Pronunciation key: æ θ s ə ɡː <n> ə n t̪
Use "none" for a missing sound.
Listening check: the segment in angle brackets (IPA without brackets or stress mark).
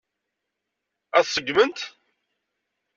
m